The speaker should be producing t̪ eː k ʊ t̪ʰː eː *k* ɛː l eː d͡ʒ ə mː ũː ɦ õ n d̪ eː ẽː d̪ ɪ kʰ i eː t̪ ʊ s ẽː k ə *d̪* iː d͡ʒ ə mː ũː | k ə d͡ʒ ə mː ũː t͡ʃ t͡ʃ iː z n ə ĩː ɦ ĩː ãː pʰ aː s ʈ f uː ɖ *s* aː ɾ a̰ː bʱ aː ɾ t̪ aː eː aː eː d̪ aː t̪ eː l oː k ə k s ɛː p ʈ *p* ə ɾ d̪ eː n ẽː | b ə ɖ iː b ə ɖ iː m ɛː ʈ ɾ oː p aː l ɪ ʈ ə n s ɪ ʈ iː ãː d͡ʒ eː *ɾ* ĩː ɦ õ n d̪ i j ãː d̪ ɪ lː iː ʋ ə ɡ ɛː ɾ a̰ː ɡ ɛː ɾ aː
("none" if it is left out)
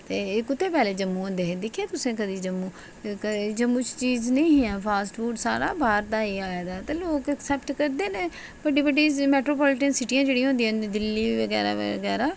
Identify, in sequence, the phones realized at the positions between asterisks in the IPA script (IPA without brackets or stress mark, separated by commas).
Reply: p, d̪, s, k, ɽ